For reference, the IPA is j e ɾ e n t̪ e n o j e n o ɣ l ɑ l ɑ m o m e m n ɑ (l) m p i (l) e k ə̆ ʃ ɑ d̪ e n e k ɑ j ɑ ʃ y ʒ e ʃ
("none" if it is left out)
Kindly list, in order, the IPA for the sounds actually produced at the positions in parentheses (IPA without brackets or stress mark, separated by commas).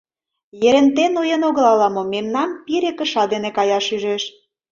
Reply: none, ɾ